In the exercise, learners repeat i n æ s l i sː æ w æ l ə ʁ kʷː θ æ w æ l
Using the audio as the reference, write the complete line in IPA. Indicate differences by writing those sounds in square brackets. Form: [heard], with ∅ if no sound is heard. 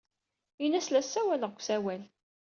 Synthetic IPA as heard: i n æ s l [æ] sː æ w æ l ə ʁ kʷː [s] æ w æ l

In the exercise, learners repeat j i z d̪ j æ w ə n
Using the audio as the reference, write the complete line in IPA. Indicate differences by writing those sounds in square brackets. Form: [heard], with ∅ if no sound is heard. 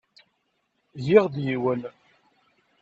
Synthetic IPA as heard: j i [ʁ] d̪ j [i] w ə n

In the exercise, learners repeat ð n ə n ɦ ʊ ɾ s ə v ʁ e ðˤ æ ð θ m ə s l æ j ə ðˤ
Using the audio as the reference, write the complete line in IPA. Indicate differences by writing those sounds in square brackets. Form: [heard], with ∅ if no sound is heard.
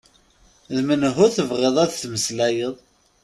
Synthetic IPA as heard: ð [m] ə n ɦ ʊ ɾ [θ] ə v ʁ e ðˤ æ ð θ m ə s l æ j ə ðˤ

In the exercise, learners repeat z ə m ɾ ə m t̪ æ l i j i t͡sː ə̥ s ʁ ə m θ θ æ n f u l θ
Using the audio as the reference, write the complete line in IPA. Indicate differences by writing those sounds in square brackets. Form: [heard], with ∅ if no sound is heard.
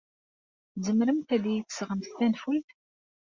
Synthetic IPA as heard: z ə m ɾ ə m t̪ æ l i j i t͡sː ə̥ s ʁ ə m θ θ æ n f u l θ

